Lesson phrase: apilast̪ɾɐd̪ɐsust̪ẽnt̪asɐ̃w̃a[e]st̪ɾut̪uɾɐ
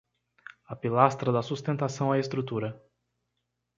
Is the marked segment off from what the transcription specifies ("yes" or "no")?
no